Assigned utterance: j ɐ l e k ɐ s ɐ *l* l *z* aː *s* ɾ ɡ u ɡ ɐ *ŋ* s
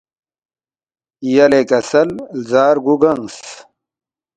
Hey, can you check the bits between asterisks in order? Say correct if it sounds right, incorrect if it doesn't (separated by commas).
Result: correct, correct, incorrect, correct